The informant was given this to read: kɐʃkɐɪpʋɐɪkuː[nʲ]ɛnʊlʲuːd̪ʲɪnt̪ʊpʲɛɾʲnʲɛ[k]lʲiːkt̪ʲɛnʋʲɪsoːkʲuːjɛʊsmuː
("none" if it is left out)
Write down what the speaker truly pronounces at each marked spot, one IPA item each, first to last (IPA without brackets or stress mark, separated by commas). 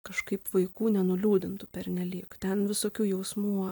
nʲ, none